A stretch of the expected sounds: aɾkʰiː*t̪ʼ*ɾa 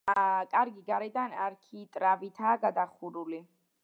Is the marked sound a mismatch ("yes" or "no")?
no